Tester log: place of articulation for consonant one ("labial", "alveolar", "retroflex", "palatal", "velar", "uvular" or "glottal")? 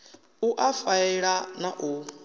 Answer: glottal